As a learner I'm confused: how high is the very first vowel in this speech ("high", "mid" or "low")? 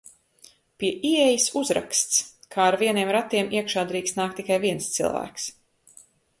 high